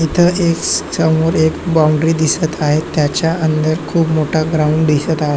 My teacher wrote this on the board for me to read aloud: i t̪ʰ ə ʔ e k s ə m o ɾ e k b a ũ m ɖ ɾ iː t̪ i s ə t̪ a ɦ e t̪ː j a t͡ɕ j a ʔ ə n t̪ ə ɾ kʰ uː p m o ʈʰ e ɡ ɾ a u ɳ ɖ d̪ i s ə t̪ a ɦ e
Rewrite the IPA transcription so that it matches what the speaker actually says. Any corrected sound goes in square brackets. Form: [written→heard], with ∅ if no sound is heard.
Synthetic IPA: i t̪ʰ ə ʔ e k s ə m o ɾ e k b a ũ [m→ɳ] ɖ ɾ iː [t̪→d̪] i s ə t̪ a ɦ e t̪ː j a t͡ɕ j a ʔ ə n [t̪→d̪] ə ɾ kʰ uː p m o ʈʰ [e→a] ɡ ɾ a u ɳ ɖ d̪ i s ə t̪ a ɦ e